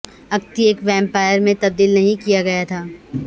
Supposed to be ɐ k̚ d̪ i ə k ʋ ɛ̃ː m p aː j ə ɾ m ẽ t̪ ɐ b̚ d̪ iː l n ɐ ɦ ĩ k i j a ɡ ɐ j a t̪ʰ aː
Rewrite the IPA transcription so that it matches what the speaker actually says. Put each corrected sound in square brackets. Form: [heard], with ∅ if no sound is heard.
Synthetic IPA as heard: ɐ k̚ [t̪] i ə k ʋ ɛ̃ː m p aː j ə ɾ m ẽ t̪ ɐ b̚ d̪ iː l n ɐ ɦ ĩ k i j a ɡ ɐ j a t̪ʰ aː